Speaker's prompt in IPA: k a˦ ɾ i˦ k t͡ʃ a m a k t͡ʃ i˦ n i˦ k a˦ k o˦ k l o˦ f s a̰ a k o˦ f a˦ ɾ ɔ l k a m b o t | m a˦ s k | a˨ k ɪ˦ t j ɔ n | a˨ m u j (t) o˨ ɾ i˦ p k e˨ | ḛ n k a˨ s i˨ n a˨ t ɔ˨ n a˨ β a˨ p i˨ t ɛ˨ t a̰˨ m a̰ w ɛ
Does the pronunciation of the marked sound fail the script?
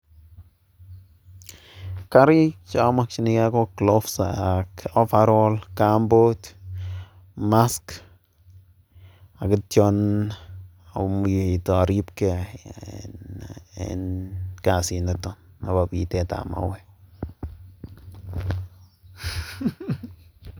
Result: no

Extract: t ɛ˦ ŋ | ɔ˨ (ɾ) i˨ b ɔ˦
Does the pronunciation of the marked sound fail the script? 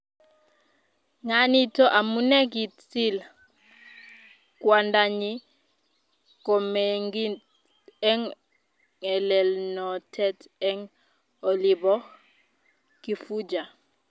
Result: yes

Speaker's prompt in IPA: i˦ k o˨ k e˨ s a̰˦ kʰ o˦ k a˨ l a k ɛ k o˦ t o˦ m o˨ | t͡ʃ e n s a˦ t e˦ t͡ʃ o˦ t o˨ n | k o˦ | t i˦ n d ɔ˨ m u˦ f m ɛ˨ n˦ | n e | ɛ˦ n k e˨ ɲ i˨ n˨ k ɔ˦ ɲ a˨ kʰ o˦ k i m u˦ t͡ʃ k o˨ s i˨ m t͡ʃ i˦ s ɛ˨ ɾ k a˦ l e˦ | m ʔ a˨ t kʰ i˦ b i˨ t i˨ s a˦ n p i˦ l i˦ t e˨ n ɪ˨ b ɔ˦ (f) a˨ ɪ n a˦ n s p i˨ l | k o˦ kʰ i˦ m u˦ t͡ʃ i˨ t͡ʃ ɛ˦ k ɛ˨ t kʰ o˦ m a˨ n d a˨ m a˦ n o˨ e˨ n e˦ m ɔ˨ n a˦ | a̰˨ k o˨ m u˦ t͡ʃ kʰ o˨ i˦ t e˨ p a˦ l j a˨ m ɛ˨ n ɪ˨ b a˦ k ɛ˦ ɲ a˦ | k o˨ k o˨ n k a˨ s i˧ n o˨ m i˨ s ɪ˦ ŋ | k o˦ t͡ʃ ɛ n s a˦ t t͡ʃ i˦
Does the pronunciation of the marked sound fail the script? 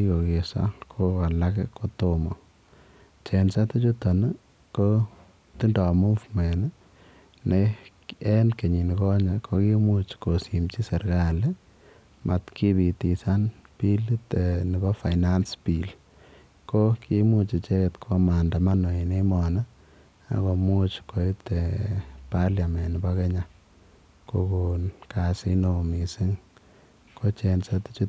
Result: no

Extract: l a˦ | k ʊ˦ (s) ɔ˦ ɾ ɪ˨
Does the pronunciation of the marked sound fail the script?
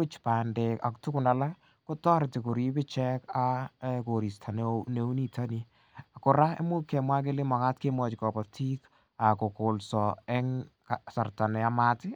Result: yes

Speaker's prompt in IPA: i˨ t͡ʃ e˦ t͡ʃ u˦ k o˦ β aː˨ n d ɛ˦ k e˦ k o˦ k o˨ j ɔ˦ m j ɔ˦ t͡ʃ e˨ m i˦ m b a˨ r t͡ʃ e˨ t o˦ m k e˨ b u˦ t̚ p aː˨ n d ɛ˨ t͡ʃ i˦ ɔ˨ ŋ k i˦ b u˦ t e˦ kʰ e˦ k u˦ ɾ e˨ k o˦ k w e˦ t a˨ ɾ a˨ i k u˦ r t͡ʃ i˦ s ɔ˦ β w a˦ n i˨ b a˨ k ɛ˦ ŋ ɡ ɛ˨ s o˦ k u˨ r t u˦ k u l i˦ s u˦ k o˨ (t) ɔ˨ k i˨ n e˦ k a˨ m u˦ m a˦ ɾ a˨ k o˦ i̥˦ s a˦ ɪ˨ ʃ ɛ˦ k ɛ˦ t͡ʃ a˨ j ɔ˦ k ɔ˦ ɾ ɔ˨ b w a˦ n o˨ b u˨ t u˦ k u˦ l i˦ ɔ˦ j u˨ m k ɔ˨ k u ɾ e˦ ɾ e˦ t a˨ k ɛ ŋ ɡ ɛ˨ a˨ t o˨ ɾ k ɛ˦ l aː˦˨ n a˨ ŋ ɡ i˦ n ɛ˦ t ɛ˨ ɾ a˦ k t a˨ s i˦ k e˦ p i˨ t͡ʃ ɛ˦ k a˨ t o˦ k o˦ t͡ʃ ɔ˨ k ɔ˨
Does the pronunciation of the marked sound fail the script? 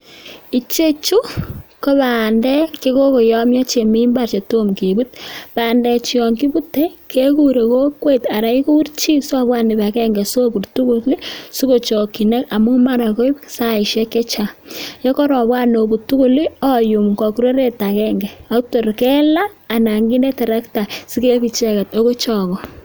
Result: yes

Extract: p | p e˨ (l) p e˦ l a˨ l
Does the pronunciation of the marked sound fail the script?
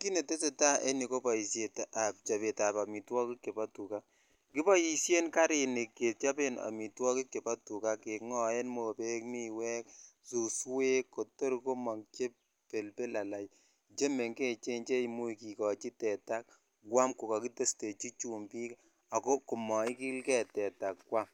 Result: no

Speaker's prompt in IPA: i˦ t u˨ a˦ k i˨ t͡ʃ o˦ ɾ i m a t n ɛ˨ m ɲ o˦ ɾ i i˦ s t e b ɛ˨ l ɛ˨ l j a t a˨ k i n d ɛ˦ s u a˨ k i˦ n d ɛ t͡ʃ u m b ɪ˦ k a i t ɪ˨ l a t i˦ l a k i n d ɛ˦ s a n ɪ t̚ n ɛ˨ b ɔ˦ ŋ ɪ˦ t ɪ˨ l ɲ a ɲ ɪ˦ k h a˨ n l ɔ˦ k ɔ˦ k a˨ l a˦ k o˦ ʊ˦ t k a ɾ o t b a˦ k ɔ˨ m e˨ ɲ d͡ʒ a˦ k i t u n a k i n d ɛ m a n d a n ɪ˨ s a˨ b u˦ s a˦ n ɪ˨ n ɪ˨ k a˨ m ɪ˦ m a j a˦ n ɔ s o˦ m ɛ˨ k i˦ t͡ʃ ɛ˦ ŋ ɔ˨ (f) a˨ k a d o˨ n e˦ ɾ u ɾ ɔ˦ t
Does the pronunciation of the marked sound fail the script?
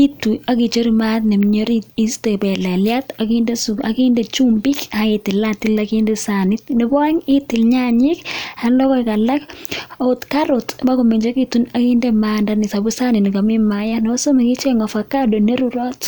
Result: no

